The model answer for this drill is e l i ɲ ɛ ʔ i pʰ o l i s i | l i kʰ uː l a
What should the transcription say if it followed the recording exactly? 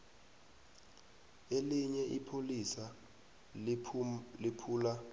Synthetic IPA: e l i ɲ ɛ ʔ i pʰ o l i s a | l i pʰ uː l a